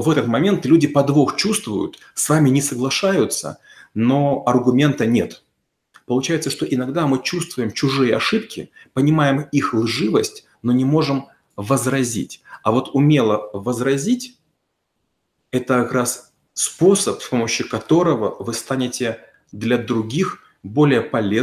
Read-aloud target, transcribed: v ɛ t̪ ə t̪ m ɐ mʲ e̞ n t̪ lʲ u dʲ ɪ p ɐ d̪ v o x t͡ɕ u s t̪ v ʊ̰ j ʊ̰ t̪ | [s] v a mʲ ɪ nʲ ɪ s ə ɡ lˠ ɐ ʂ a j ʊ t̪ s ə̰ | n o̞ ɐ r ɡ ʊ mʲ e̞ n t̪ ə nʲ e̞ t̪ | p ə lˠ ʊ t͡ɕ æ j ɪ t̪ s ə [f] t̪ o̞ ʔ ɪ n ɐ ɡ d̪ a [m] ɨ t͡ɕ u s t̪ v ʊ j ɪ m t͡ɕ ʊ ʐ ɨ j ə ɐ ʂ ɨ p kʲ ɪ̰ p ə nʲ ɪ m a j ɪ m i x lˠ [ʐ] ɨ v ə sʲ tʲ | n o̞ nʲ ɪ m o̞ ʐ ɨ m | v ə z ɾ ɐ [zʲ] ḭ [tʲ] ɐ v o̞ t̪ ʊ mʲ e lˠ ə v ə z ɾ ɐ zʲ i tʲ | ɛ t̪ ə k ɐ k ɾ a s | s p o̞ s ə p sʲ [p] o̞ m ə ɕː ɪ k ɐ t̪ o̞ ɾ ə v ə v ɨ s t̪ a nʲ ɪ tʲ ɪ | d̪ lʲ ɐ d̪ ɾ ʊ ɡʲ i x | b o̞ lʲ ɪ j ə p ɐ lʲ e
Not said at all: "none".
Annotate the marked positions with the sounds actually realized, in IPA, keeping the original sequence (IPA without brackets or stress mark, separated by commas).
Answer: s, ʂ, m, ʐ, zʲ, tʲ, p